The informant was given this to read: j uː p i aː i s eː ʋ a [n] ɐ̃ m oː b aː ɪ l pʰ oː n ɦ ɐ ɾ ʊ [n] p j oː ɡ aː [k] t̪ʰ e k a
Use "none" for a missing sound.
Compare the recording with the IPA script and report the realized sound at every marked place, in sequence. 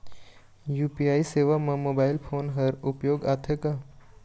m, none, none

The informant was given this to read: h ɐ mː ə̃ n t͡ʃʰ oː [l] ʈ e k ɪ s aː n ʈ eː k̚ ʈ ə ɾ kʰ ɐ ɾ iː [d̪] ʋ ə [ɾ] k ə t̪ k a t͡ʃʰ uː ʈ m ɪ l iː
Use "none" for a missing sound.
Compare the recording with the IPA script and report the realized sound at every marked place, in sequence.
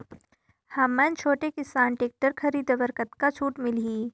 none, d̪, ɾ

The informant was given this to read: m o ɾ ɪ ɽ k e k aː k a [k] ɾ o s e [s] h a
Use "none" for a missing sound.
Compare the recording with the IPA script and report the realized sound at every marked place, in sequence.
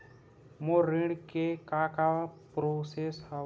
p, s

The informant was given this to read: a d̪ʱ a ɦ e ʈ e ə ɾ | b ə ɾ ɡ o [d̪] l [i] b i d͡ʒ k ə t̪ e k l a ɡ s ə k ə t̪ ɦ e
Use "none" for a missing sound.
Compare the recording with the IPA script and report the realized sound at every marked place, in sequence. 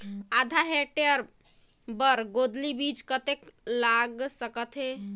d̪, i

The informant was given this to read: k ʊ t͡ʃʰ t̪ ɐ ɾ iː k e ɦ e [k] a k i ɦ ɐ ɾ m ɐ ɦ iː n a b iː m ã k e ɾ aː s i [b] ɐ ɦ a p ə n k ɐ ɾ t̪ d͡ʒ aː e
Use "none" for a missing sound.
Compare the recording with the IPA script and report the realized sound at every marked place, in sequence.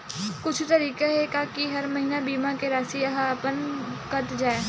k, none

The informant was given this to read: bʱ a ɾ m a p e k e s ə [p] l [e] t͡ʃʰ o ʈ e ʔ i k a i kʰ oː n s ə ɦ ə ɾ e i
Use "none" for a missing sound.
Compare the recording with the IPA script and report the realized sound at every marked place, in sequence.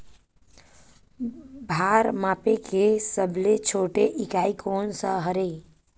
b, e

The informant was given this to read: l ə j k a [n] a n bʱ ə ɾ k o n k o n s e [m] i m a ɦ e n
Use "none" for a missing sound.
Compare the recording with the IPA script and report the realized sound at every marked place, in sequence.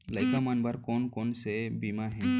m, b

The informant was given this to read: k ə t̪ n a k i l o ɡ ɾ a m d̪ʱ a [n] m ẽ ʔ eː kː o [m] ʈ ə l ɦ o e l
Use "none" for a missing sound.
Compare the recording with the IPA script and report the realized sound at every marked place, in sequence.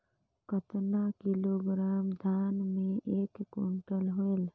n, ɳ

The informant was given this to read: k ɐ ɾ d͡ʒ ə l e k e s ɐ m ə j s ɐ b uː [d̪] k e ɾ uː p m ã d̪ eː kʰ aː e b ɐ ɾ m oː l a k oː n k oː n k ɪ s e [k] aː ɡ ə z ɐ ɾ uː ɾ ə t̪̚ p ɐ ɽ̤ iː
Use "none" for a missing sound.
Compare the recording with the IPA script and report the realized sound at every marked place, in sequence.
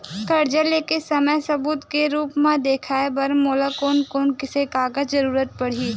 t̪, k

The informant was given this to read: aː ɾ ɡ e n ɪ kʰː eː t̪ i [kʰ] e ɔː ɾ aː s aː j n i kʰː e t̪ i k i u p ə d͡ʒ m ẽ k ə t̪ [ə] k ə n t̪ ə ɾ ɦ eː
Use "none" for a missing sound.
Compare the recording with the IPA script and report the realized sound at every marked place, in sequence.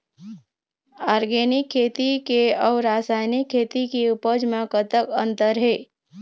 k, ə

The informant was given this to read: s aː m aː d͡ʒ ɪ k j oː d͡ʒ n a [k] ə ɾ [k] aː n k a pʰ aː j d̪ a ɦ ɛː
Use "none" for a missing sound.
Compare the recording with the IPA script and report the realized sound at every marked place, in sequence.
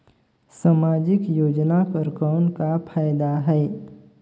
k, k

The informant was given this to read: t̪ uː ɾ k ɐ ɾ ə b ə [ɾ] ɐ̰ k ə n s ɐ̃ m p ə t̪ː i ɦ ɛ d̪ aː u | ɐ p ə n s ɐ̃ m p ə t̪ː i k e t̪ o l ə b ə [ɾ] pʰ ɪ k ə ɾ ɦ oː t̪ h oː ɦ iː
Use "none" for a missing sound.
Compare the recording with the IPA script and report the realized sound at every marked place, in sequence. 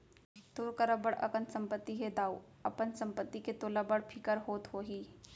ɽ, ɽ

